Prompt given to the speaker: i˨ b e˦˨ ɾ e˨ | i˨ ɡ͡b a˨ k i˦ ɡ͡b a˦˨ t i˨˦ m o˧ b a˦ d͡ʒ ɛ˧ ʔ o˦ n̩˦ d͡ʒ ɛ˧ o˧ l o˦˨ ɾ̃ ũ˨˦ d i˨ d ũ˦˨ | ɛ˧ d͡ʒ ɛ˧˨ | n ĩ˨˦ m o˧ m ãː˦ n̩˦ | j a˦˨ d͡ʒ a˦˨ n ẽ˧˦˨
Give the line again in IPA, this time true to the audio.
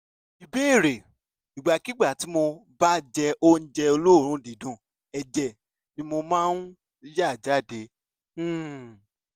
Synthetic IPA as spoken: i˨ b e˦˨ ɾ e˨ | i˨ ɡ͡b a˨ k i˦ ɡ͡b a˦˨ t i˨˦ m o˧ b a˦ d͡ʒ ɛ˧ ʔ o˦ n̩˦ d͡ʒ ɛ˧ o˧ l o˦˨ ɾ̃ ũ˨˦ d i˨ d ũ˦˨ | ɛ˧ d͡ʒ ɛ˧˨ | n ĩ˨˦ m o˧ m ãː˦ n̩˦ | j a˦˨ d͡ʒ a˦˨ d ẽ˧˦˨